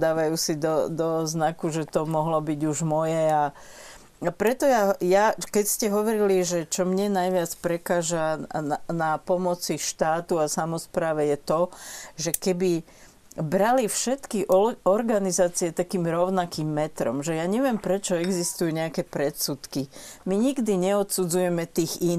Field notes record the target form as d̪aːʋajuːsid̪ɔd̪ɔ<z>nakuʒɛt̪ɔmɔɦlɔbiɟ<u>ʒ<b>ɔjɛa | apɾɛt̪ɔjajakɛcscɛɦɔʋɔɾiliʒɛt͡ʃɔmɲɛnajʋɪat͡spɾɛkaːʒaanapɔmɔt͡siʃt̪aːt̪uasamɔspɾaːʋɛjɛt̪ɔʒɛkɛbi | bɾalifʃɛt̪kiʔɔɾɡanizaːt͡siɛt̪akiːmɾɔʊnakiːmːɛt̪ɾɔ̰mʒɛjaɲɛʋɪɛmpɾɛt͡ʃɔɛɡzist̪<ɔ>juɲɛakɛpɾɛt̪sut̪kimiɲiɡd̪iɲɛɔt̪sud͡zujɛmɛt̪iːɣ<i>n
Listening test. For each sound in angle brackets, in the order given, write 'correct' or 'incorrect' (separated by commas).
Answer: correct, correct, incorrect, incorrect, correct